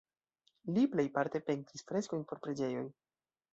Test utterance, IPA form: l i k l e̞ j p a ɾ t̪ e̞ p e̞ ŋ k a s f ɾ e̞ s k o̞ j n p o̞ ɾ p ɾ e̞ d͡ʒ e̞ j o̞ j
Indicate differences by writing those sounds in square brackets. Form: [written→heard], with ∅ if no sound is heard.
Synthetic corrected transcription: l i [k→p] l e̞ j p a ɾ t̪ e̞ p e̞ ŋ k [a→i] s f ɾ e̞ s k o̞ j n p o̞ ɾ p ɾ e̞ d͡ʒ e̞ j o̞ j